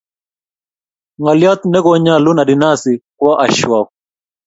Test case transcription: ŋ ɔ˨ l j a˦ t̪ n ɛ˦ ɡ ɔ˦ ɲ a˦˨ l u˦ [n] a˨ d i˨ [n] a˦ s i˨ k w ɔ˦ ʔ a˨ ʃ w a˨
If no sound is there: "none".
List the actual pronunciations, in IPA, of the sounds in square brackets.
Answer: n, n

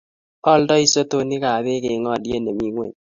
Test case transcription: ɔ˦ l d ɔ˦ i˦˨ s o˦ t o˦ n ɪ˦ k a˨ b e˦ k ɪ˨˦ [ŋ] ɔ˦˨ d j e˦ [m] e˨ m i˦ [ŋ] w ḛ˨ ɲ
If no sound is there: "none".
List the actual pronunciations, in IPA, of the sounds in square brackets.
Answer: ŋ, n, ŋ

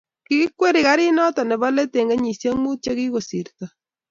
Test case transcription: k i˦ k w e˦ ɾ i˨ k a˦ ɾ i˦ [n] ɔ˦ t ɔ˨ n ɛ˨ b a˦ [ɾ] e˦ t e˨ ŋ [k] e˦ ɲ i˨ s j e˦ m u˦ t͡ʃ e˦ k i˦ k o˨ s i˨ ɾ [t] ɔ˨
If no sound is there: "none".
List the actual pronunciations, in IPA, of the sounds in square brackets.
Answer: n, l, ɡ, t

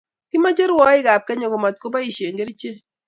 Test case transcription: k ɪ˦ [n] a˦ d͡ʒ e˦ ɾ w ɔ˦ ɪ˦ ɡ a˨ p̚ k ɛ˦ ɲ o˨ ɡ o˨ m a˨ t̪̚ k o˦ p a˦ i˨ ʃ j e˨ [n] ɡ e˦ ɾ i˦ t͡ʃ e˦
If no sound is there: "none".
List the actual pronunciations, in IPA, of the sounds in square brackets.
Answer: m, ŋ

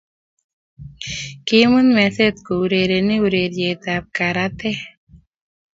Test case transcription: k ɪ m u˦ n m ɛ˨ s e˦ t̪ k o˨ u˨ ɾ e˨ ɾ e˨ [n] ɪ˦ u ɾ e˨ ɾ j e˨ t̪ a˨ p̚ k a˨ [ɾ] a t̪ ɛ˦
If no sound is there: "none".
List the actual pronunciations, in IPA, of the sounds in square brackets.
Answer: n, ɾ

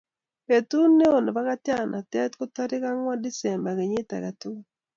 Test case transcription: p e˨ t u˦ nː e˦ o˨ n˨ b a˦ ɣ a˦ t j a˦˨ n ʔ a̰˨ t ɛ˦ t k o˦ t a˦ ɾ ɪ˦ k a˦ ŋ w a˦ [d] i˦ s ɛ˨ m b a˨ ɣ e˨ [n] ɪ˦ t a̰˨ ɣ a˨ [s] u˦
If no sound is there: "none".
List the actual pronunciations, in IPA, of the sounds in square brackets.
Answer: d, ɲ, t

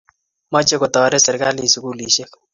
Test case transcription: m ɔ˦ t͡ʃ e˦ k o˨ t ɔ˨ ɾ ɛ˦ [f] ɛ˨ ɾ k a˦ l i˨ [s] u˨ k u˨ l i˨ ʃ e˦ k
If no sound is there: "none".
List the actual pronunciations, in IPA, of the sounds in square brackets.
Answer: s, s

